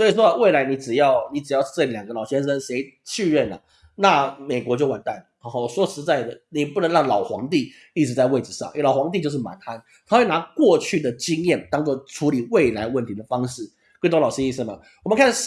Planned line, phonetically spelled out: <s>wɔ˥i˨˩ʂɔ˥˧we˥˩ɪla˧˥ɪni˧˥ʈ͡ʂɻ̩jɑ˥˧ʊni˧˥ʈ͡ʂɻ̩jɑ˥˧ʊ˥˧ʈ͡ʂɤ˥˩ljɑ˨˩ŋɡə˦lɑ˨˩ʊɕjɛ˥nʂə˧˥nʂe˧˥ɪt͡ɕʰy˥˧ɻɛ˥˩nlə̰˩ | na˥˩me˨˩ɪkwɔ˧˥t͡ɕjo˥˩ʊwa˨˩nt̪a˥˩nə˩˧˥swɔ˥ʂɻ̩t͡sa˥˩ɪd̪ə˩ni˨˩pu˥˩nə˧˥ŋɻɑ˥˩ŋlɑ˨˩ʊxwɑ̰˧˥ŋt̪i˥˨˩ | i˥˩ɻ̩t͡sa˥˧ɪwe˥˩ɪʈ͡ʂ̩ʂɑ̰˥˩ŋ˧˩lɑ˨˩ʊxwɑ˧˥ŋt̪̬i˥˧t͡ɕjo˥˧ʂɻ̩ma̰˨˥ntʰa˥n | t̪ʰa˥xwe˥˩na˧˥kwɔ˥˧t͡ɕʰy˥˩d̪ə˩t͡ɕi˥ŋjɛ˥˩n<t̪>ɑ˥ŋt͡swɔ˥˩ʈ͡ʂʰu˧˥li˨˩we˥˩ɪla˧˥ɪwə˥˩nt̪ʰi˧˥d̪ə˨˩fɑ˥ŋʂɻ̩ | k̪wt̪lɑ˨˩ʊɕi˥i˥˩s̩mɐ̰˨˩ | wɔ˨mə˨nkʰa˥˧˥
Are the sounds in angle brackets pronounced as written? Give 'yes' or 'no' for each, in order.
yes, yes

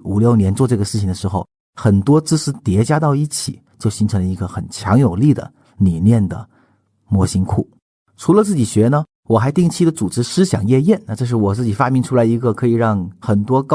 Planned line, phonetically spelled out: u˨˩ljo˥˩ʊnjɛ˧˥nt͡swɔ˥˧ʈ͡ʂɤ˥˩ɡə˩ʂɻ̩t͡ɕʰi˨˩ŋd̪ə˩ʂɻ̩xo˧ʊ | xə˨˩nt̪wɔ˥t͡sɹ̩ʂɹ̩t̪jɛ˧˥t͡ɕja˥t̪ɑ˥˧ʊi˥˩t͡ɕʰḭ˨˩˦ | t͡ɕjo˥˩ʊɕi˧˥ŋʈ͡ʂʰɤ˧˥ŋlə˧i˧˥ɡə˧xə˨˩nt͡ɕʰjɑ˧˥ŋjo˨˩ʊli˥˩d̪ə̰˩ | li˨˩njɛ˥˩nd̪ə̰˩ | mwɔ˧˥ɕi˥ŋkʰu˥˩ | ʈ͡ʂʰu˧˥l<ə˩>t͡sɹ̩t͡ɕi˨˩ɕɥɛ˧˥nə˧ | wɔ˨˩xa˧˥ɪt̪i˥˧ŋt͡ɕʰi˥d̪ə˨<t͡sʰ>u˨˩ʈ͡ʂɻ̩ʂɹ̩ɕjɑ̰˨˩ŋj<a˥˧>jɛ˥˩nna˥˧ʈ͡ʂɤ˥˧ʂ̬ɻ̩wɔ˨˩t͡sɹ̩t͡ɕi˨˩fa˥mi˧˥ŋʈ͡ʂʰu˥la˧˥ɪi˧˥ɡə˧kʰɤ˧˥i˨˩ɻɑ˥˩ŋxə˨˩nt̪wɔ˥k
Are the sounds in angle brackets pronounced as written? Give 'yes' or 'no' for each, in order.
no, no, no

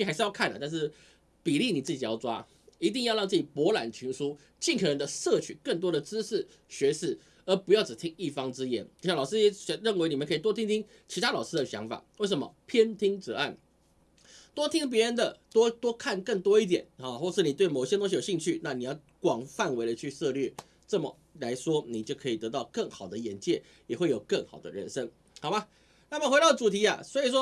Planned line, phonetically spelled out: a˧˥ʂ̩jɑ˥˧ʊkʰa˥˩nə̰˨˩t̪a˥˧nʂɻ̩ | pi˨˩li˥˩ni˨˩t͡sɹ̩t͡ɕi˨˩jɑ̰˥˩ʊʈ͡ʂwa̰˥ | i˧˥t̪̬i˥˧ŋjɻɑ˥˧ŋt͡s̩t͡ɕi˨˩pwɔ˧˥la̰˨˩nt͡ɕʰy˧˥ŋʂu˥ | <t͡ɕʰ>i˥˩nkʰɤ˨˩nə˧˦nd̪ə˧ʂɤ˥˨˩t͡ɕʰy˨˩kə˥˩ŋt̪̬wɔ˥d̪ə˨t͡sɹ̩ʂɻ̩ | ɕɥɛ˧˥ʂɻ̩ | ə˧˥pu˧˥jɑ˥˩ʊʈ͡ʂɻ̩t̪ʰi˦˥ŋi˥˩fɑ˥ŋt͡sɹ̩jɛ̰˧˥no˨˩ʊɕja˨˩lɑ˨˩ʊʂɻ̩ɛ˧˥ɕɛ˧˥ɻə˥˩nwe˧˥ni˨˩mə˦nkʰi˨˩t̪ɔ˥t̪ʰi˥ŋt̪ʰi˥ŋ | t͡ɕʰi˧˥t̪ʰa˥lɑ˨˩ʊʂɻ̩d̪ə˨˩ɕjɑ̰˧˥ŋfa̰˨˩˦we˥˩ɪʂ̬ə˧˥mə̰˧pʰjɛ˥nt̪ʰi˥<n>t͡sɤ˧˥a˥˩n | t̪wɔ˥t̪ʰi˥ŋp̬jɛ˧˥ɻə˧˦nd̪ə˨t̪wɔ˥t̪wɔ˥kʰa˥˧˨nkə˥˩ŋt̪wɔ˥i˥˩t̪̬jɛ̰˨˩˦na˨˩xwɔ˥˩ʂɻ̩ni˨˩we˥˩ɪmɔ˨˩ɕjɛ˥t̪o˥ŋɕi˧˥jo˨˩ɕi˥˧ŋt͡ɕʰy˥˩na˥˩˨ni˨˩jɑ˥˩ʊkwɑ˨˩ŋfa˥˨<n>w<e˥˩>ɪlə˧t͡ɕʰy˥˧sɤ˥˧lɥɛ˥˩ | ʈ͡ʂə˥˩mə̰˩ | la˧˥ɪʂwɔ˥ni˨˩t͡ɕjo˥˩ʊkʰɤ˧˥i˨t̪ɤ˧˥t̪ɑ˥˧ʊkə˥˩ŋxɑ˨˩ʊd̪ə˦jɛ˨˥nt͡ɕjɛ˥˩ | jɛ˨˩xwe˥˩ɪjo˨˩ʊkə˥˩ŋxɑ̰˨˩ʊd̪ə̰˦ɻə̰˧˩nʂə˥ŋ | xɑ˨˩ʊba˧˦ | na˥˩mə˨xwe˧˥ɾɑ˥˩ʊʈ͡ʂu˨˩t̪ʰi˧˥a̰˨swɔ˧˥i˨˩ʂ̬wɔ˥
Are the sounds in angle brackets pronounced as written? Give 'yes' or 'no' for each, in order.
no, no, yes, no

